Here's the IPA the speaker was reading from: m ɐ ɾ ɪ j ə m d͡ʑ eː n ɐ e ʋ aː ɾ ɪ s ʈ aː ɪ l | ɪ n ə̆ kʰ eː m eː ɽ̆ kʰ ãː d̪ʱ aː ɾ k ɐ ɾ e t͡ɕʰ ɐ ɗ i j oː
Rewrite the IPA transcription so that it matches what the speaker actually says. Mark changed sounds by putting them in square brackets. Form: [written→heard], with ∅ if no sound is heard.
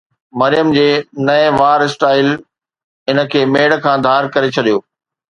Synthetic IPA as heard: m ɐ ɾ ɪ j ə m d͡ʑ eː n ɐ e ʋ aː ɾ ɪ s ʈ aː ɪ l | ɪ n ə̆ kʰ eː m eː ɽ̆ kʰ ãː d̪ʱ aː ɾ k ɐ ɾ e t͡ɕʰ ɐ ɗ i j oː